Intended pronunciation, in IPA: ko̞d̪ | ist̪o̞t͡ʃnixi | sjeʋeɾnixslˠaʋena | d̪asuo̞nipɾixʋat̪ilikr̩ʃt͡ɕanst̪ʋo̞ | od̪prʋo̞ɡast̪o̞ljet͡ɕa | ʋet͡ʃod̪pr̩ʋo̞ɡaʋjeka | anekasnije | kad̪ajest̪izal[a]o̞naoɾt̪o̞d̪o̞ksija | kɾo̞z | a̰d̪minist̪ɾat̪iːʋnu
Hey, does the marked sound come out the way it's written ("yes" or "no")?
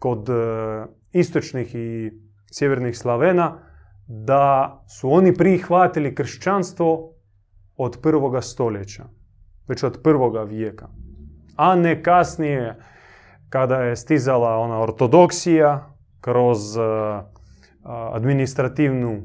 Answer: yes